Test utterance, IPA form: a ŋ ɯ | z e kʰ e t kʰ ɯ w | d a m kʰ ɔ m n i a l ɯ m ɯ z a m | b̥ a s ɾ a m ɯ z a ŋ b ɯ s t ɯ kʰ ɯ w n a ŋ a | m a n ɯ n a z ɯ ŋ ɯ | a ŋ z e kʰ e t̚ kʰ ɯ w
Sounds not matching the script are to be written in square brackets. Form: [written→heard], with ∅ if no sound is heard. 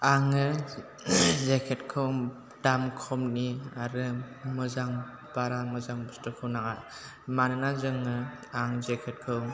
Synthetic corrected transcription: a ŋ ɯ | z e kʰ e t kʰ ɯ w | d a m kʰ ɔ m n i a [l→ɾ] ɯ m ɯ z a [m→ŋ] | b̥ a [s→∅] ɾ a m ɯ z a ŋ b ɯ s t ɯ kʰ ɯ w n a ŋ a | m a n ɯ n a z ɯ ŋ ɯ | a ŋ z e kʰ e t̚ kʰ ɯ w